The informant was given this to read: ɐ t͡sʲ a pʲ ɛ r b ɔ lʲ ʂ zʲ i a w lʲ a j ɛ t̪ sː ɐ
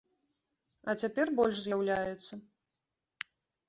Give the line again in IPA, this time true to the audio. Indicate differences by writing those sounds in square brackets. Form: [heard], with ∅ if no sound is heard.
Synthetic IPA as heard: ɐ t͡sʲ a pʲ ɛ r b ɔ lʲ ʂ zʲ [j] a w lʲ a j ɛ t̪ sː ɐ